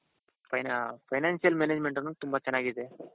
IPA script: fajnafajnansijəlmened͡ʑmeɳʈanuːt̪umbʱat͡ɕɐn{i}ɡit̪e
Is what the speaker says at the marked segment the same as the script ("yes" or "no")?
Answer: no